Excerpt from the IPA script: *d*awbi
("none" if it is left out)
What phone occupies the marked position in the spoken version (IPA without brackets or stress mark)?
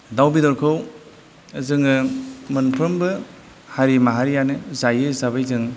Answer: d